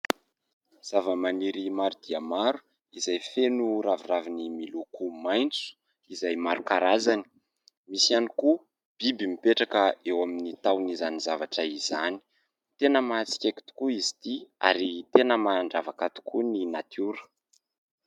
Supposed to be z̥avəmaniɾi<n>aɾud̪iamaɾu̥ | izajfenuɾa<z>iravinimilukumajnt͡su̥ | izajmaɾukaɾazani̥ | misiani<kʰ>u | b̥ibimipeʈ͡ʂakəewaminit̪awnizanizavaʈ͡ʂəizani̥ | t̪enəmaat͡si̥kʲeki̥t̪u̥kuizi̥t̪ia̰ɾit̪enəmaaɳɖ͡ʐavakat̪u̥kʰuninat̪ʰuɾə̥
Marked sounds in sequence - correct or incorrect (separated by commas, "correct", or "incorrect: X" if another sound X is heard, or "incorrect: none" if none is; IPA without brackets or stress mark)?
incorrect: m, incorrect: v, incorrect: k